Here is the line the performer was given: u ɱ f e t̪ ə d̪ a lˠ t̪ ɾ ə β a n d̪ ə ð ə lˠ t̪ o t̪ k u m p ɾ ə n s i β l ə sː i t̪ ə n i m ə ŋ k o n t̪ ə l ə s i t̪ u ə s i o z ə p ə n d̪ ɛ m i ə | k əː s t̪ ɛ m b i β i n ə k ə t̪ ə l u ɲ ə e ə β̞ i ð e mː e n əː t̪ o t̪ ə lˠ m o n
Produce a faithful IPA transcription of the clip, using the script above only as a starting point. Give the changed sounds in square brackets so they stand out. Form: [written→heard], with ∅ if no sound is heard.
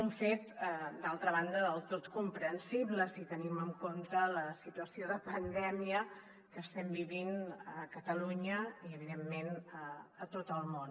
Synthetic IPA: u ɱ f e t̪ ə d̪ a lˠ t̪ ɾ ə β a n d̪ ə ð ə lˠ t̪ o t̪ k u m p ɾ ə n s i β l ə [sː→s] i t̪ ə n i m ə ŋ k o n t̪ ə l ə s i t̪ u ə s i o [z→ð] ə p ə n d̪ ɛ m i ə | k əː s t̪ ɛ m b i β i n ə k ə t̪ ə l u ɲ ə [e→i] ə β̞ i ð e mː e n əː t̪ o t̪ ə lˠ m o n